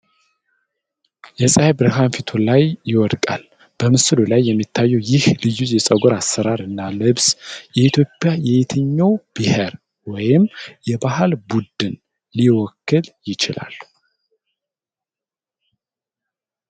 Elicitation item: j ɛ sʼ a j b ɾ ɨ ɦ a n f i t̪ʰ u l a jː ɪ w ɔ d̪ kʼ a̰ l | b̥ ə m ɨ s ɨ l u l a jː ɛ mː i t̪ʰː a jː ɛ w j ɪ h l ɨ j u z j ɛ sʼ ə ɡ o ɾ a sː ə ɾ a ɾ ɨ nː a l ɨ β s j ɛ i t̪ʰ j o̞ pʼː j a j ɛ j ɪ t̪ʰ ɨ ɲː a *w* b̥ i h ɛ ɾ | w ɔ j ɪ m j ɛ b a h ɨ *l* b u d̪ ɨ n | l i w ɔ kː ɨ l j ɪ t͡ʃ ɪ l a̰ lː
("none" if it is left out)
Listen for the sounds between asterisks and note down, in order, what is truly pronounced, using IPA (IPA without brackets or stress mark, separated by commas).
w, l